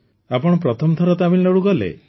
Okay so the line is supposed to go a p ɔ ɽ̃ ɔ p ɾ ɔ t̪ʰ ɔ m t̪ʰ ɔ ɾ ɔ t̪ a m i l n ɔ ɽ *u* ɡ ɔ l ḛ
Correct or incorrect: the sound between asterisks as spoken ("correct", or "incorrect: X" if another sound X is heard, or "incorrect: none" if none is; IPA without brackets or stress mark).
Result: correct